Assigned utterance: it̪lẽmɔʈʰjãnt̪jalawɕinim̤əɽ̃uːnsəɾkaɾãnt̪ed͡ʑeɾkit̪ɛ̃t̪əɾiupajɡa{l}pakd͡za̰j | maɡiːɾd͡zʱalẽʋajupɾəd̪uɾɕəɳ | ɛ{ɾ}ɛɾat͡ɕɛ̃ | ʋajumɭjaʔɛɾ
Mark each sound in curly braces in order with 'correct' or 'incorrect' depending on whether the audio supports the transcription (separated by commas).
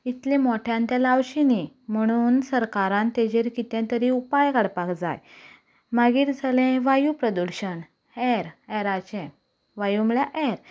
incorrect, correct